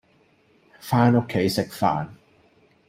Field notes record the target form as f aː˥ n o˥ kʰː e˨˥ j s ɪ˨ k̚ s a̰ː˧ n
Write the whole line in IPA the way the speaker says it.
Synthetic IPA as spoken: f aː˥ n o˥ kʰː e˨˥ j s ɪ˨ k̚ f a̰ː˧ n